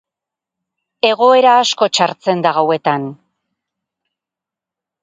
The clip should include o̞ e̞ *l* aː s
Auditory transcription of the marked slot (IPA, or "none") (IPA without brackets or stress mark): ɾ